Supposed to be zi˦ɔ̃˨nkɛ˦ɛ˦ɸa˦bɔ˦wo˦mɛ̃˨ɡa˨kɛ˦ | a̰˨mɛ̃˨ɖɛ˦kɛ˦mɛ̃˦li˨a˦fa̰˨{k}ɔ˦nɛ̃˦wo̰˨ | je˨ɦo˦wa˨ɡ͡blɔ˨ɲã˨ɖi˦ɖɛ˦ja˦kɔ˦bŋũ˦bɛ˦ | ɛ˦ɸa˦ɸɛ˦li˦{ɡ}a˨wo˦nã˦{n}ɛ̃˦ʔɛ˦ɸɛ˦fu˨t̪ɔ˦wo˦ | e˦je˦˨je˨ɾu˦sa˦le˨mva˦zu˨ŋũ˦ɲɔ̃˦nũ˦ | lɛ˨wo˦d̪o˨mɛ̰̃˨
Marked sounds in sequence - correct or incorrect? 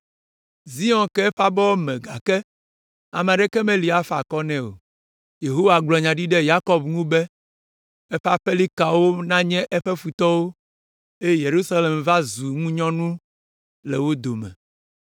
correct, incorrect, incorrect

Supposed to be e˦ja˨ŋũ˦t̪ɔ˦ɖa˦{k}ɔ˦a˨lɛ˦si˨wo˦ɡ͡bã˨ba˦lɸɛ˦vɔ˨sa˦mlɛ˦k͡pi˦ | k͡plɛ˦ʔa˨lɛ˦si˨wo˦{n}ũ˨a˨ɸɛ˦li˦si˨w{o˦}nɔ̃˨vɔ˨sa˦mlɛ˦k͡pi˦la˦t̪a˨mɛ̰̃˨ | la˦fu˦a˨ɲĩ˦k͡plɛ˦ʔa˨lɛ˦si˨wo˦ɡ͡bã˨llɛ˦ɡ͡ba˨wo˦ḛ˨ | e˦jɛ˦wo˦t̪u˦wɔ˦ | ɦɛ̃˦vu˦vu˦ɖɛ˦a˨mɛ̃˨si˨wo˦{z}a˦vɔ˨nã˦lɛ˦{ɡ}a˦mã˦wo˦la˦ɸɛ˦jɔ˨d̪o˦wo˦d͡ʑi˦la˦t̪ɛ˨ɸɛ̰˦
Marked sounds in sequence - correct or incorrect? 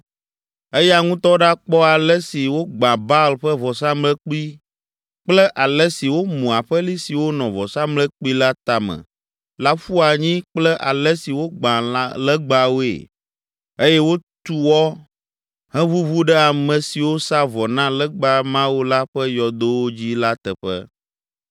incorrect, incorrect, correct, incorrect, incorrect

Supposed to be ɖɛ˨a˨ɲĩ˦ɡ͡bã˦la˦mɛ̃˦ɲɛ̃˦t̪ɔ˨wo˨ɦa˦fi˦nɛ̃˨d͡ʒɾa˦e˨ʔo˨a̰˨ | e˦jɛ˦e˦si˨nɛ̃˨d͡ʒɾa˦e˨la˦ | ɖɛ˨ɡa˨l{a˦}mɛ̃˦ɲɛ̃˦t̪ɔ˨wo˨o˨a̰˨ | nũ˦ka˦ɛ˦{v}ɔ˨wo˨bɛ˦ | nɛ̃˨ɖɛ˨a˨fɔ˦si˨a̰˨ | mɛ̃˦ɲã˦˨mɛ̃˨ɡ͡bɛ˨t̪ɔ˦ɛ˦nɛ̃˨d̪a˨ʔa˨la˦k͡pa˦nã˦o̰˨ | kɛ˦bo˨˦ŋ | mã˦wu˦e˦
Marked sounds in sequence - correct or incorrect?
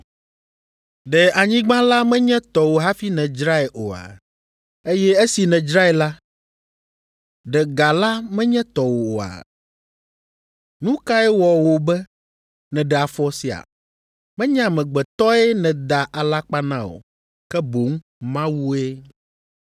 correct, incorrect

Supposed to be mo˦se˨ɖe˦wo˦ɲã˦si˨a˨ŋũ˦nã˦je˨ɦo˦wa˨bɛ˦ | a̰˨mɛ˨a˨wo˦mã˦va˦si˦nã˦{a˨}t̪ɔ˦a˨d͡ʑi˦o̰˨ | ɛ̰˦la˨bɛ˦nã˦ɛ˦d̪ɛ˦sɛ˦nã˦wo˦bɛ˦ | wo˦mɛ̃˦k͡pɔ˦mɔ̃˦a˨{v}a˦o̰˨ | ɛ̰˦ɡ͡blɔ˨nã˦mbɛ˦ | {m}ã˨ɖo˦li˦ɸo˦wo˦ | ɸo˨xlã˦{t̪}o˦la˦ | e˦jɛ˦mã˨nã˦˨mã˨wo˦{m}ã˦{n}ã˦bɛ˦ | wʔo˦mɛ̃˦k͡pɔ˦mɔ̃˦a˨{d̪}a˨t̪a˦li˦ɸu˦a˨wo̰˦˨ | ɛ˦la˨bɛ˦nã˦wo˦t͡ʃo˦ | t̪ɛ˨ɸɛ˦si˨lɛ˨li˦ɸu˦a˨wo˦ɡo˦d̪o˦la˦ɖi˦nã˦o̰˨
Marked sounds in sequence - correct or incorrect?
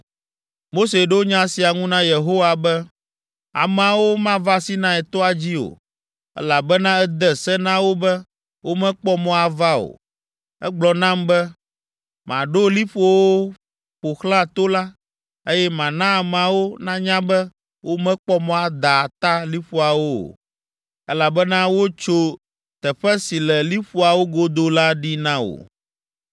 incorrect, correct, correct, correct, incorrect, incorrect, correct

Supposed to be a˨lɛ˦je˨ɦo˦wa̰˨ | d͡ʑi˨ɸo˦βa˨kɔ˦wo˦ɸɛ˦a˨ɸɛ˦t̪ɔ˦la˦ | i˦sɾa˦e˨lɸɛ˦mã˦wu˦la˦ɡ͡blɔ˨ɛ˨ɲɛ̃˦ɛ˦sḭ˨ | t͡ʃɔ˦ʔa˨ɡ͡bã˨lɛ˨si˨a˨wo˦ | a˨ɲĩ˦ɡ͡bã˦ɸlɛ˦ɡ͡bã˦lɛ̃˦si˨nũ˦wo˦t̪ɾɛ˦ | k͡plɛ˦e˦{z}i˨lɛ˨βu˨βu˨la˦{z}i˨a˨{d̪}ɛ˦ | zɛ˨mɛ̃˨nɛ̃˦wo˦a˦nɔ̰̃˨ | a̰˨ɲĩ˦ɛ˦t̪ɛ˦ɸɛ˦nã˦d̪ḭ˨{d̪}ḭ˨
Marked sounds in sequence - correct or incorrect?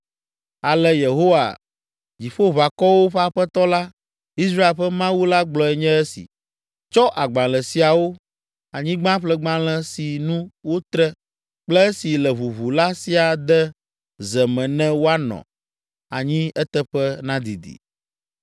incorrect, incorrect, correct, correct

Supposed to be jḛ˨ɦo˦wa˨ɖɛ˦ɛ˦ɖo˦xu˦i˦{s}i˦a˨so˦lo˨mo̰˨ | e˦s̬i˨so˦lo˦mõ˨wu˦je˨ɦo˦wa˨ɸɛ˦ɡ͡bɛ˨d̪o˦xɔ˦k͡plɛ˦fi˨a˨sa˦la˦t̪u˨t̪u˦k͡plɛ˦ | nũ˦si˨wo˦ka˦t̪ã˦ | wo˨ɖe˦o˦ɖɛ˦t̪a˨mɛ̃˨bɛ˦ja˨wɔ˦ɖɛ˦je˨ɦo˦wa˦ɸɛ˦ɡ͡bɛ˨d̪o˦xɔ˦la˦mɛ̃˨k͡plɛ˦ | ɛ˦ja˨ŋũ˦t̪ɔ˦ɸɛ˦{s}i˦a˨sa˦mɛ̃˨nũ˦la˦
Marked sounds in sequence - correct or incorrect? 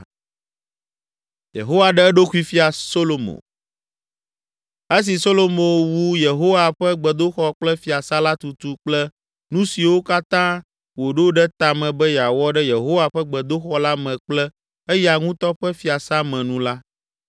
incorrect, incorrect

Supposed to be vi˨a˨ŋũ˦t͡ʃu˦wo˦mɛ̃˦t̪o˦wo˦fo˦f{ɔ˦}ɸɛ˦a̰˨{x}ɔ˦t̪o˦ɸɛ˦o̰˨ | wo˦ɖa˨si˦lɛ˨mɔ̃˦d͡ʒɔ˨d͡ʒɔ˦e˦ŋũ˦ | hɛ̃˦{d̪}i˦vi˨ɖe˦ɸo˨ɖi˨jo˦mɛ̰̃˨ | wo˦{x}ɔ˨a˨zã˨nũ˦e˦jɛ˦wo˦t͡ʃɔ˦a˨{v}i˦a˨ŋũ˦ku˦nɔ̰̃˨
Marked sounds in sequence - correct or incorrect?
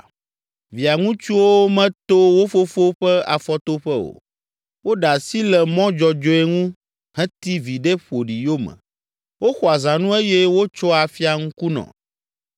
incorrect, incorrect, incorrect, correct, incorrect

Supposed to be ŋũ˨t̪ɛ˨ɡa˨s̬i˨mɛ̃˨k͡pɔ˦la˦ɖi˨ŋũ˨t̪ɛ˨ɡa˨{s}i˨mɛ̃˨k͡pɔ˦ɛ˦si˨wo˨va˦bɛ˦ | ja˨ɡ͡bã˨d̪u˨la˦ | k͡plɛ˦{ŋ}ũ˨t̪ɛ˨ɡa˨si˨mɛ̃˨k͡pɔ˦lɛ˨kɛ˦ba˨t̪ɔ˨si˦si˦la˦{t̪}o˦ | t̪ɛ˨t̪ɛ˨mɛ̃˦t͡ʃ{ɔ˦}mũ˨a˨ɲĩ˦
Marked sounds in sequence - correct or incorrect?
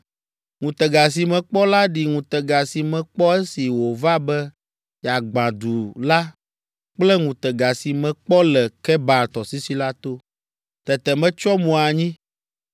correct, correct, correct, correct

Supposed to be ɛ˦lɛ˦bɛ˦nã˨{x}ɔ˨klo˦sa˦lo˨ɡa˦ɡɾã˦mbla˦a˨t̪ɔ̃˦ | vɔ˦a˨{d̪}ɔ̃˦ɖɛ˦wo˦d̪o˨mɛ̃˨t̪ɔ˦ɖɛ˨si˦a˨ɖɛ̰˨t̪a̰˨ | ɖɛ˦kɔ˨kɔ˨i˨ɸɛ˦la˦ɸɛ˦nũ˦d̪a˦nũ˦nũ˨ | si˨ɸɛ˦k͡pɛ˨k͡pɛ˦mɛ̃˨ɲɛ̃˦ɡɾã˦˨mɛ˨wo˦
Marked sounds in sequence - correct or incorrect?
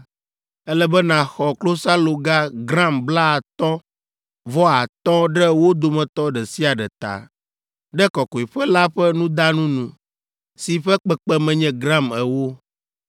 correct, incorrect

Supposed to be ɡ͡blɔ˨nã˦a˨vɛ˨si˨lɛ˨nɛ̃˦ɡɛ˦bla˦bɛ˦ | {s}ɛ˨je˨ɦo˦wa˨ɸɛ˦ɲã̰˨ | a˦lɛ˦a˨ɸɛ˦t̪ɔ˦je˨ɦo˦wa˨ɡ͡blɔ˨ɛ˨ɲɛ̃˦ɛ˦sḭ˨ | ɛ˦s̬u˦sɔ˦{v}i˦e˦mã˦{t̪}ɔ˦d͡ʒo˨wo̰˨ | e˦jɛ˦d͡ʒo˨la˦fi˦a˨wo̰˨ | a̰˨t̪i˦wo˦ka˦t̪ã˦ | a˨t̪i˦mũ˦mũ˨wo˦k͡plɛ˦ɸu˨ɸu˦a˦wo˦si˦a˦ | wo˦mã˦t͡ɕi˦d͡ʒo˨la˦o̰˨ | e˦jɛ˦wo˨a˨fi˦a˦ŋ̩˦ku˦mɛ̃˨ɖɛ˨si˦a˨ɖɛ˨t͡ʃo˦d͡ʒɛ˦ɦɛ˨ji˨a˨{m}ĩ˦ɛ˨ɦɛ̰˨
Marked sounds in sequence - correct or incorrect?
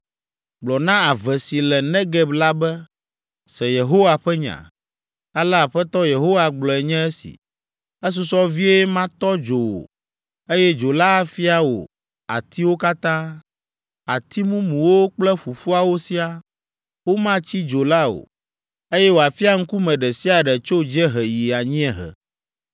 correct, correct, correct, incorrect

